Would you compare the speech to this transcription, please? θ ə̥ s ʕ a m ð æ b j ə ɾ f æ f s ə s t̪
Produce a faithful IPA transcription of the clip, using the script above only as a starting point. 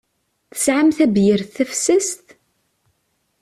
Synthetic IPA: θ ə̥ s ʕ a m θ æ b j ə ɾ θ æ f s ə s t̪